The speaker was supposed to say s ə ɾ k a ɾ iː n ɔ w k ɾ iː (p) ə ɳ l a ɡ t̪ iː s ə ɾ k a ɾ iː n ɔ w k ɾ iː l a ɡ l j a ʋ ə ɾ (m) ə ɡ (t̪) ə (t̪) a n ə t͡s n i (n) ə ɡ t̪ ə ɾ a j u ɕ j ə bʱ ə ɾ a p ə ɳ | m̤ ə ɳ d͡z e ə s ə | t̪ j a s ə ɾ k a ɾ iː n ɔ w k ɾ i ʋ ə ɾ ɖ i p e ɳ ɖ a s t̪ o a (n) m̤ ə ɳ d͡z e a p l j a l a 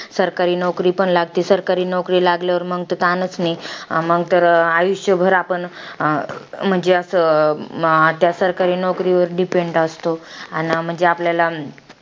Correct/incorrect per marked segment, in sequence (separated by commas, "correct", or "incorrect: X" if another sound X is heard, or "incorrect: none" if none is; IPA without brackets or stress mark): correct, correct, correct, correct, incorrect: m, correct